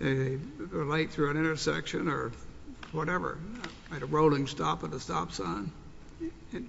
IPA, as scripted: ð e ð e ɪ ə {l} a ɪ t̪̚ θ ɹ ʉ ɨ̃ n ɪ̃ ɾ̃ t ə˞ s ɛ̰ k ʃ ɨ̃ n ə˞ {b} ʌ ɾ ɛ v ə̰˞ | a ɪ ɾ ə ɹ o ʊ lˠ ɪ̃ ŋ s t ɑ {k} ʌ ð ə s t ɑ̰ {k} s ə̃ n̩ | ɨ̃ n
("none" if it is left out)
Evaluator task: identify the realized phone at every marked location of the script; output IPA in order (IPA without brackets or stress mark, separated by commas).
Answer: l, w, p, p